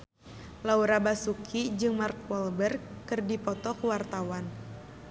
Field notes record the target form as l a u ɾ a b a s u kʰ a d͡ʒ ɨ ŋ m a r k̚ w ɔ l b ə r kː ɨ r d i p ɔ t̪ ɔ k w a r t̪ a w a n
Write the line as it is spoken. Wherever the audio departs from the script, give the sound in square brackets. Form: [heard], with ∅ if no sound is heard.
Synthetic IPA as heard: l a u ɾ a b a s u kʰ [i] d͡ʒ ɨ ŋ m a r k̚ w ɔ l b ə r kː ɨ r d i p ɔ t̪ ɔ k w a r t̪ a w a n